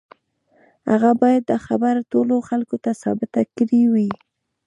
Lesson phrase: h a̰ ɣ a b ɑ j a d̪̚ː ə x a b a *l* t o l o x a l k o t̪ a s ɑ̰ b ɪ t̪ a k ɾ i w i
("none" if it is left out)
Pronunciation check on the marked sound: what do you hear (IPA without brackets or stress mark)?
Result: ɾ